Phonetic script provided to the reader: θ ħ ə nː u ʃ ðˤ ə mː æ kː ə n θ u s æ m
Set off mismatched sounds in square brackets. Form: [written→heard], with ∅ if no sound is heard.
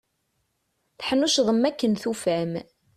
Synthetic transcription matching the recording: θ ħ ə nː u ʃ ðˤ ə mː æ kː ə n θ u [s→f] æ m